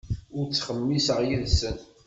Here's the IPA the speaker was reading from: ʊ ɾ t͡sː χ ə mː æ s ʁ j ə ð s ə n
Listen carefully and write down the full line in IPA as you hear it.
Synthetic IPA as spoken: ʊ ɾ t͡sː χ ə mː i s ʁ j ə ð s ə n